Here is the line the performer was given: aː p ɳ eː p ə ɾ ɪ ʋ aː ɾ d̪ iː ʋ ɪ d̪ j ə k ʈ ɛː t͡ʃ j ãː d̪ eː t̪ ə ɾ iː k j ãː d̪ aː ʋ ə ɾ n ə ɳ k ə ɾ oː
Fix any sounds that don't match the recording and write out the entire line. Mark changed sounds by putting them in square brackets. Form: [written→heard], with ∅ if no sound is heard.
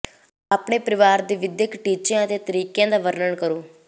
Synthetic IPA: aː p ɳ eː p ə ɾ ɪ ʋ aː ɾ d̪ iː ʋ ɪ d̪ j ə k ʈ [ɛː→iː] t͡ʃ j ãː [d̪→t̪] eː t̪ ə ɾ iː k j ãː d̪ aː ʋ ə ɾ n ə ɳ k ə ɾ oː